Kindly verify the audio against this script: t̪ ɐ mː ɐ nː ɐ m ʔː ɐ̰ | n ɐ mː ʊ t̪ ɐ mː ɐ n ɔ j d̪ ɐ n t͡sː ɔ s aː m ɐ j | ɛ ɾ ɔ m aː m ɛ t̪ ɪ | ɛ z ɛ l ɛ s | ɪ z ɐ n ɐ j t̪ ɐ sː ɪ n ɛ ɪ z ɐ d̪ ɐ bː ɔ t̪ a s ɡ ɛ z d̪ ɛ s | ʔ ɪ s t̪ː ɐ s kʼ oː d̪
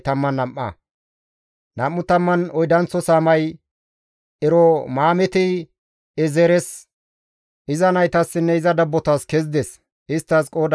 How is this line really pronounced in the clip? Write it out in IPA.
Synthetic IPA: t̪ ɐ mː ɐ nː ɐ m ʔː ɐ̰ | n ɐ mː ʊ t̪ ɐ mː ɐ n ɔ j d̪ ɐ n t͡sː ɔ s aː m ɐ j | ɛ ɾ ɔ m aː m ɛ t̪ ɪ | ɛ z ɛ ɾ ɛ s | ɪ z ɐ n ɐ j t̪ ɐ sː ɪ nː ɛ ɪ z ɐ d̪ ɐ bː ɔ t̪ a s k ɛ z d̪ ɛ s | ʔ ɪ s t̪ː ɐ s kʼ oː d̪